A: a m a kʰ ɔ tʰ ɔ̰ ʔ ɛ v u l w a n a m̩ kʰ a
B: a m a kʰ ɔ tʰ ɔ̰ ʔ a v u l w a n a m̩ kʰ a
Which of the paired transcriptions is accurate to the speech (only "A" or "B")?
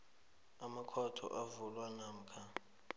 B